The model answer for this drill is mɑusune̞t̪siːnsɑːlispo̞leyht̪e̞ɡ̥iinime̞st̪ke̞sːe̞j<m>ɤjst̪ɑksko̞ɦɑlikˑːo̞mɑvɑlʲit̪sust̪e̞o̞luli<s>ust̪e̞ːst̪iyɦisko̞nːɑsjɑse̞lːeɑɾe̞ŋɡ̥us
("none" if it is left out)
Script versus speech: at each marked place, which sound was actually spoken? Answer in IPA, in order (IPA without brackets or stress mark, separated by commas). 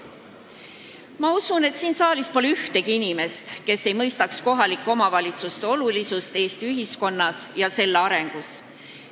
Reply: m, s